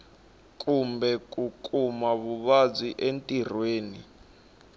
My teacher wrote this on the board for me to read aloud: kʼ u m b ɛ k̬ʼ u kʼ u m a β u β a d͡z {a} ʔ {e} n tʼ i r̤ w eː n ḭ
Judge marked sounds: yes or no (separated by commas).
no, yes